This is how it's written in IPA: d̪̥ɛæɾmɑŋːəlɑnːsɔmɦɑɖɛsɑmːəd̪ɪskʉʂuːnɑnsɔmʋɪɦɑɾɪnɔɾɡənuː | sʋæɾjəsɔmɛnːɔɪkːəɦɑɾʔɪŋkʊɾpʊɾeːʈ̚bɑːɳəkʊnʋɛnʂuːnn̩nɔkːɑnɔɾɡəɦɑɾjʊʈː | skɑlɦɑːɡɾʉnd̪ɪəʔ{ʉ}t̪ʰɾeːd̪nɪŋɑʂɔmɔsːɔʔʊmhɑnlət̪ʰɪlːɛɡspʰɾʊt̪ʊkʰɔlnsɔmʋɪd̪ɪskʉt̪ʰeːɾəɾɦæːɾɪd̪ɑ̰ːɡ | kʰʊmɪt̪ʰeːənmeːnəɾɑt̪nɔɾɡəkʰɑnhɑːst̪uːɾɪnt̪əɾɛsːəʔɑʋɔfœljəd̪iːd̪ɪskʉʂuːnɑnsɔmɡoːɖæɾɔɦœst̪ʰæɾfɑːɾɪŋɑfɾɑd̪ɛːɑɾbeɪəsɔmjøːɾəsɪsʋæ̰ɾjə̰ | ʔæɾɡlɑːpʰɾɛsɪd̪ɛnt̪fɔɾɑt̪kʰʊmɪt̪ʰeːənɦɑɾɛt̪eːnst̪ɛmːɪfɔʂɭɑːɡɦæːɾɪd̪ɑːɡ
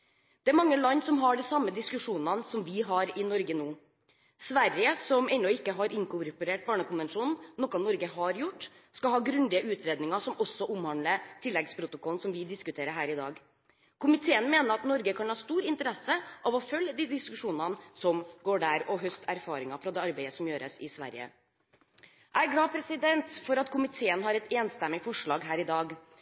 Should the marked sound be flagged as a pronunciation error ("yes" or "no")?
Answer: yes